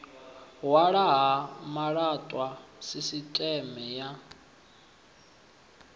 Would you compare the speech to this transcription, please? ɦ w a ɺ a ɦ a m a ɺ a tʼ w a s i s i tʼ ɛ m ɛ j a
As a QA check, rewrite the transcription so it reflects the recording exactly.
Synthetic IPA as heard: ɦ w a ɺ a ɦ a m a ɺ a tʼ w a s i s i tʼ ɛ m ɛ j a